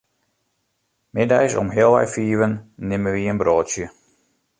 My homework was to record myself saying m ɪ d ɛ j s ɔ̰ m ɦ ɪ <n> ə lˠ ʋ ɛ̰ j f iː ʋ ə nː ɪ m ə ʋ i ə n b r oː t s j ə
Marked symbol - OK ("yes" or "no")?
no